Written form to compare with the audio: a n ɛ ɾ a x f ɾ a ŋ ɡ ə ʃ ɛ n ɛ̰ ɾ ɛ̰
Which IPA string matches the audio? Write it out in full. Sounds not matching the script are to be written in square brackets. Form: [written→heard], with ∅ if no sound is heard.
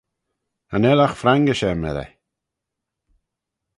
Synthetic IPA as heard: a n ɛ [ɾ→l] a x f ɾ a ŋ ɡ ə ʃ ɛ [n→m] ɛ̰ ɾ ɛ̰